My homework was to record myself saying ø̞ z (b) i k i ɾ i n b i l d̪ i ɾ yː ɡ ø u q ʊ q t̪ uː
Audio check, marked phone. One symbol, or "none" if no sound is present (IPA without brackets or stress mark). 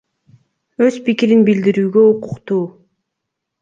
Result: p